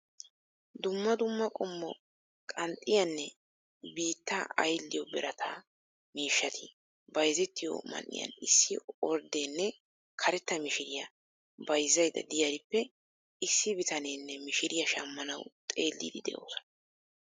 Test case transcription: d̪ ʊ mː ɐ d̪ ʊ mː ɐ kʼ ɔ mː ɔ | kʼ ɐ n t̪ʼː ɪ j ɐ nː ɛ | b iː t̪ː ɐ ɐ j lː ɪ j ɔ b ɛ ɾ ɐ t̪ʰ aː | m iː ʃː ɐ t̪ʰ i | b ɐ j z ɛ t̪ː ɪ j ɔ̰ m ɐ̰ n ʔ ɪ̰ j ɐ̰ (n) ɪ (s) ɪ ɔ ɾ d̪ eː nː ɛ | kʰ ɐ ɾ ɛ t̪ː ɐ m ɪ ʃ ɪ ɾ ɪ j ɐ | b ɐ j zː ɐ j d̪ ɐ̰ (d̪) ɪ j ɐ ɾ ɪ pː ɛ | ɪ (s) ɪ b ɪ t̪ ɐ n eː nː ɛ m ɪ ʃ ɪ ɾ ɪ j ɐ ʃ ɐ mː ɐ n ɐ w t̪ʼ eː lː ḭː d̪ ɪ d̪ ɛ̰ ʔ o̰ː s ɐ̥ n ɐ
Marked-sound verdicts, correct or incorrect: correct, incorrect: sː, correct, incorrect: sː

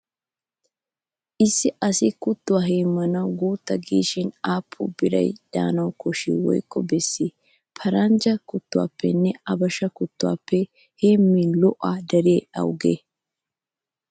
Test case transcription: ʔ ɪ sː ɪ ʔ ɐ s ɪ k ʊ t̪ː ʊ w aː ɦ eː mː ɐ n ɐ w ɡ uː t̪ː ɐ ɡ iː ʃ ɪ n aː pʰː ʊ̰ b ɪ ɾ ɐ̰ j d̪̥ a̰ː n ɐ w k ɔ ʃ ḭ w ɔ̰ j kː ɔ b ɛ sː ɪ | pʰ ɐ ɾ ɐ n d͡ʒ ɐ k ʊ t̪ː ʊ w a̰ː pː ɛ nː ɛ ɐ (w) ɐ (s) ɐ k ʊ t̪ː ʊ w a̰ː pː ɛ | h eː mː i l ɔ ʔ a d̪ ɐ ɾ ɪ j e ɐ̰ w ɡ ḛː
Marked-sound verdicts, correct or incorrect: incorrect: b, incorrect: ʃ

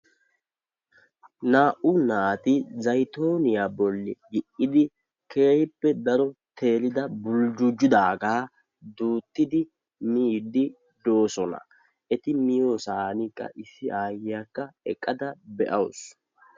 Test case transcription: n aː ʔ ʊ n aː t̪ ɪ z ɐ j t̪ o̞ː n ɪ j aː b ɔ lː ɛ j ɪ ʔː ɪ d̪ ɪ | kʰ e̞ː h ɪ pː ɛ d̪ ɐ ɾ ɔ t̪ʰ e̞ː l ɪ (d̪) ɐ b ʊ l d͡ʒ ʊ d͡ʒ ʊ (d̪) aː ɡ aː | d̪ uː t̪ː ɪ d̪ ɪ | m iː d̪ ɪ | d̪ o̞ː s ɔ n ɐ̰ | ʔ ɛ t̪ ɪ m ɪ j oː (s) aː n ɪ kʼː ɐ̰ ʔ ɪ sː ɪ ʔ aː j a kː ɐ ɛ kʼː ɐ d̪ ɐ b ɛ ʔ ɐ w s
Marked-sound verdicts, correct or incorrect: correct, correct, correct

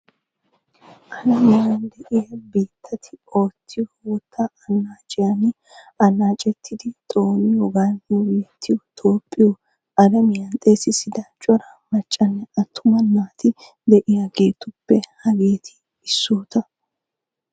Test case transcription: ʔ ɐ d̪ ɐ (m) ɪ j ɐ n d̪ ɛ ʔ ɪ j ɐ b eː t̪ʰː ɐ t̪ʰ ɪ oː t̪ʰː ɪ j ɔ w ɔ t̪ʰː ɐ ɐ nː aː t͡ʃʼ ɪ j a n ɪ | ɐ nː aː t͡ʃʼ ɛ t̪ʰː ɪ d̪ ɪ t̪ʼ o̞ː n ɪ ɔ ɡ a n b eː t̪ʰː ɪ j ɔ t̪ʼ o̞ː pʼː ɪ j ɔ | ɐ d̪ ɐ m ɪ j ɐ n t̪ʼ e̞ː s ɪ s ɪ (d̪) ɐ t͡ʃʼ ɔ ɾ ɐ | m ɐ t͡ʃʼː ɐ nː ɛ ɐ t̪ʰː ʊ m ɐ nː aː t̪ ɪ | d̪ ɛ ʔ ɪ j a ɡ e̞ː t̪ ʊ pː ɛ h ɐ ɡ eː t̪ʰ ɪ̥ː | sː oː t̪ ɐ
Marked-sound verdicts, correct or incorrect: correct, correct

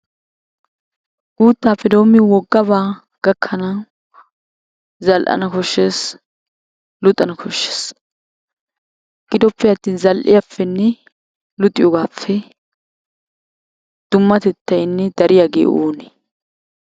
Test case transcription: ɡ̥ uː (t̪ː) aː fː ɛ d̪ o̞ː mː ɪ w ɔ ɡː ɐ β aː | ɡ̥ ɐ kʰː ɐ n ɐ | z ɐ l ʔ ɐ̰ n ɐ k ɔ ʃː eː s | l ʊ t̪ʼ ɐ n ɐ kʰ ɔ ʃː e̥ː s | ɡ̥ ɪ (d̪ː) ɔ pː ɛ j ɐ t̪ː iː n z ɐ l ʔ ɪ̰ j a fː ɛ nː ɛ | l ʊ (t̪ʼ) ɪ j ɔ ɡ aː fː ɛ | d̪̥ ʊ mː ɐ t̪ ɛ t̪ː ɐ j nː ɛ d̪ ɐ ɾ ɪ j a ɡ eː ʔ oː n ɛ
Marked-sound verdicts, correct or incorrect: correct, incorrect: d̪, correct

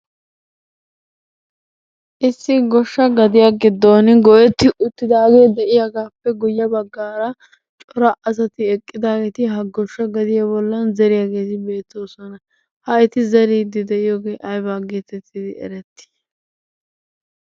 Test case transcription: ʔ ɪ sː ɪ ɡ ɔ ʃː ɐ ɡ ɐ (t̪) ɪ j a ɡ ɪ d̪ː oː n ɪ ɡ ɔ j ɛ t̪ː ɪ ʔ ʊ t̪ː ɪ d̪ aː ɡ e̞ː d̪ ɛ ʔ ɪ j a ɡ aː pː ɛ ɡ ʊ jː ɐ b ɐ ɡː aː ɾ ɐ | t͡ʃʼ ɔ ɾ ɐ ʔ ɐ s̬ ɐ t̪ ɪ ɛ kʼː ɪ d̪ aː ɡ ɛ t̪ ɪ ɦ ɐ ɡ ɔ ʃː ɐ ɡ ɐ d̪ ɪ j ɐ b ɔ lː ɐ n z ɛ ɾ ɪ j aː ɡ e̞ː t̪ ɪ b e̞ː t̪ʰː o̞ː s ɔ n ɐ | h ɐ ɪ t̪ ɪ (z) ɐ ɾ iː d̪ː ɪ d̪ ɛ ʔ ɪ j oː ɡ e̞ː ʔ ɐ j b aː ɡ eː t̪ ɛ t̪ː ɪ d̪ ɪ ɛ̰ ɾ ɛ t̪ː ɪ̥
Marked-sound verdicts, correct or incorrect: incorrect: d̪, correct

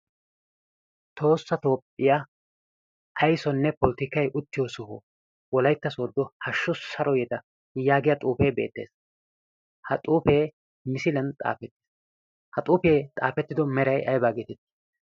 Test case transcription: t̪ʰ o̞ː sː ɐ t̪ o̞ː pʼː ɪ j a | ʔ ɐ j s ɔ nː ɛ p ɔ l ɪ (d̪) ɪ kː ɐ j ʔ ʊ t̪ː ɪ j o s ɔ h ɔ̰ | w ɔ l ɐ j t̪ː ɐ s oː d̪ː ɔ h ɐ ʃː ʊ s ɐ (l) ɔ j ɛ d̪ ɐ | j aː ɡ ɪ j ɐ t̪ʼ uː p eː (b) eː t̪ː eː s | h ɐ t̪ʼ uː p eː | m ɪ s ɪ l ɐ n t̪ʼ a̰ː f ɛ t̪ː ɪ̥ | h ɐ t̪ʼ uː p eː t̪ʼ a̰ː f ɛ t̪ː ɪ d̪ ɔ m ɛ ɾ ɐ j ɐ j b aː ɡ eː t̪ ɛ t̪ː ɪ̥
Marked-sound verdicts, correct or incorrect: incorrect: t̪, incorrect: ɾ, correct

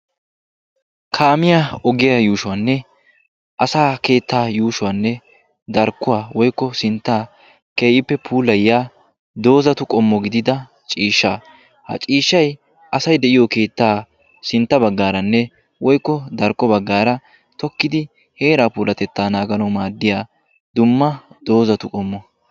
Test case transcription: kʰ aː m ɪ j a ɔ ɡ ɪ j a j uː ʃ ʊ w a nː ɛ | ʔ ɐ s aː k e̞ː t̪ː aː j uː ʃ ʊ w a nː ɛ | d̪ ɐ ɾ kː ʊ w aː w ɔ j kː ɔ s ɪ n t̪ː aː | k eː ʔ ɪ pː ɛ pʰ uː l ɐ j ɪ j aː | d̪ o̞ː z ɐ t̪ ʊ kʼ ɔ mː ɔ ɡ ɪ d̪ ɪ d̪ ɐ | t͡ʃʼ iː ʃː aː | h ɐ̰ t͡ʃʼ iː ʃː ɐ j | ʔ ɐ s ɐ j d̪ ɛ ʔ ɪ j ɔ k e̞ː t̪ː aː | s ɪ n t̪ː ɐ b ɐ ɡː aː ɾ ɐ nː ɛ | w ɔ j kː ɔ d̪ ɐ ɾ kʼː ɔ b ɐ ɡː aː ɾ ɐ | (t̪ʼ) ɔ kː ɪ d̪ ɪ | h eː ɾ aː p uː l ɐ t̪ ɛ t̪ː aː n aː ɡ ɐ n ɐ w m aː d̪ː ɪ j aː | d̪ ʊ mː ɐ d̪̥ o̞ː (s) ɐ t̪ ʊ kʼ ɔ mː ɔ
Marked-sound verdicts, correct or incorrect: incorrect: t̪, incorrect: z

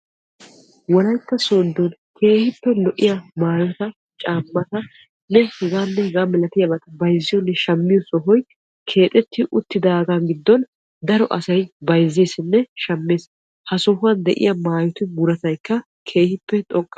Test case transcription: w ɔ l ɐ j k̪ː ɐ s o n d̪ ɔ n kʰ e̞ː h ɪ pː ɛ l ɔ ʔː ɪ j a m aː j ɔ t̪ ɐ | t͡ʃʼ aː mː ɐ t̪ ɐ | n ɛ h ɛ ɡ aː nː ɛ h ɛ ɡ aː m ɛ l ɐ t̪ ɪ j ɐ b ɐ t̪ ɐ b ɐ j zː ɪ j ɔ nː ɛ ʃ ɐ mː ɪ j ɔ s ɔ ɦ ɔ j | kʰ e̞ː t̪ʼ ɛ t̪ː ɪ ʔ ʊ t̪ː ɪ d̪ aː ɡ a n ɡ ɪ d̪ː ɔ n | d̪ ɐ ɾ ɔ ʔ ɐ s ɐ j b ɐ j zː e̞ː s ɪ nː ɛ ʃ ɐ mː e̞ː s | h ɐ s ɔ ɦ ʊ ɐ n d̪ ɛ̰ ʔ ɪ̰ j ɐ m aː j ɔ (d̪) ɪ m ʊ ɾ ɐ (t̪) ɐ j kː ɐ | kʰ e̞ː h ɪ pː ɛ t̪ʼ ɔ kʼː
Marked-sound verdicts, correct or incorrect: incorrect: t̪, correct

